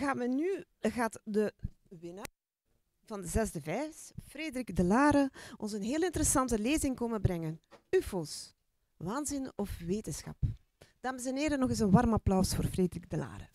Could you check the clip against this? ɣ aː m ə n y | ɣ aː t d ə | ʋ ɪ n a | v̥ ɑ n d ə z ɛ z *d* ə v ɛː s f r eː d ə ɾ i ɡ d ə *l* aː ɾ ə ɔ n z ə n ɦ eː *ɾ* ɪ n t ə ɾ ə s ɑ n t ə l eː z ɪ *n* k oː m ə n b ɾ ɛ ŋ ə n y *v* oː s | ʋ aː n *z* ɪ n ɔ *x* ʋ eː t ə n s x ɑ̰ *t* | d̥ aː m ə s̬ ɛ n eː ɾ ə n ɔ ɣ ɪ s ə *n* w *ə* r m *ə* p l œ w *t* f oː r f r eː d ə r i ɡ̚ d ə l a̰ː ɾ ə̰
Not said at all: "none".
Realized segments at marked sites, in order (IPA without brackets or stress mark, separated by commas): d, l, l, ŋ, f, z, f, p, n, ɑ, ɑ, s